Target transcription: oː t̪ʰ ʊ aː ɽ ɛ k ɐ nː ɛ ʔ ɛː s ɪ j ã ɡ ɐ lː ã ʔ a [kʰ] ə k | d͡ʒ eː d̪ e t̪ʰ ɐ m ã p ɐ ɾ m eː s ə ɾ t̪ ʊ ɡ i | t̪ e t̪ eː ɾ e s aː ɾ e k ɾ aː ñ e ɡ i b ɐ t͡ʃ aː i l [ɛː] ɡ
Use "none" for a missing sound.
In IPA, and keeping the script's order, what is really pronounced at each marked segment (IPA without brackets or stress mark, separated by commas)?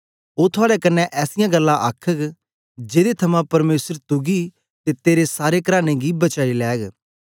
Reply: kʰ, ɛː